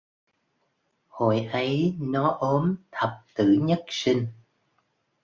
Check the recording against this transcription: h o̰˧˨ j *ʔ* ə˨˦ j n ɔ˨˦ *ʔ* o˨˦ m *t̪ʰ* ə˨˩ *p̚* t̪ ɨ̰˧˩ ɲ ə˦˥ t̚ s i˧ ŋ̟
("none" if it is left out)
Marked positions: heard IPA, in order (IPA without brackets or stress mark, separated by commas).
ʔ, ʔ, t̪ʰ, p̚